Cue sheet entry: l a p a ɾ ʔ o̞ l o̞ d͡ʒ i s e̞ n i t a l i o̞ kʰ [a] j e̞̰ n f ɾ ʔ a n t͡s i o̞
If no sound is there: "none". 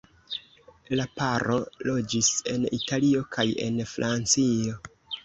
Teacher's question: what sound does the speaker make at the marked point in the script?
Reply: a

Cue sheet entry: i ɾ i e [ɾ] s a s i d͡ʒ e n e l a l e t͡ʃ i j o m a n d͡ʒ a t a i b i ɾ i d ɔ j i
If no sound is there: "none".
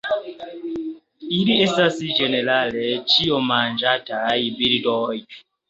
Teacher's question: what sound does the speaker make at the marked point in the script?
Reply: none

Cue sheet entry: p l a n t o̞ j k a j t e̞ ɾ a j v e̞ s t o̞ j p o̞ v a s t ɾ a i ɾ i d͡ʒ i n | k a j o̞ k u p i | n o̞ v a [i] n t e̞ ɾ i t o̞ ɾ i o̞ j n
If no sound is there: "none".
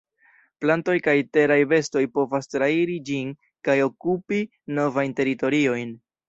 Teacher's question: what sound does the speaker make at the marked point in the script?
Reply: j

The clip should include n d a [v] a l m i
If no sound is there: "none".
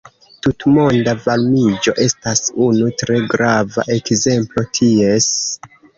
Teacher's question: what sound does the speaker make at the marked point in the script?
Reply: v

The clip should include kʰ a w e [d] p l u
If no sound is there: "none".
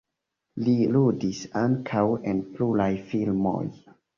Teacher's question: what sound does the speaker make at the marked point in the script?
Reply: n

